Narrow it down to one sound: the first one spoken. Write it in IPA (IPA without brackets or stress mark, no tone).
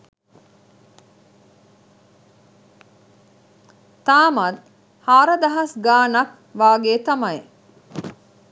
t̪